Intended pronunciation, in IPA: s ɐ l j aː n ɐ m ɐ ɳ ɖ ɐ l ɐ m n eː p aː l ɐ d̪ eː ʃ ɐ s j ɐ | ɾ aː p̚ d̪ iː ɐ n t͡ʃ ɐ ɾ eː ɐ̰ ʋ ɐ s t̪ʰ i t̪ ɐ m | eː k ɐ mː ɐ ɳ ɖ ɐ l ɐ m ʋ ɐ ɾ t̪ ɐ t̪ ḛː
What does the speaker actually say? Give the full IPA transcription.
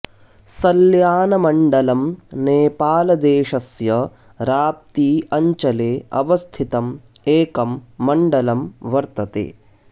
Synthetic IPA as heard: s ɐ l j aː n ɐ m ɐ ɳ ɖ ɐ l ɐ m n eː p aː l ɐ d̪ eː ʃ ɐ s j ɐ | ɾ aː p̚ t̪ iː ɐ ɲ t͡ʃ ɐ l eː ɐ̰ ʋ ɐ s t̪ʰ i t̪ ɐ m | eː k ɐ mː ɐ ɳ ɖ ɐ l ɐ m ʋ ɐ ɾ t̪ ɐ t̪ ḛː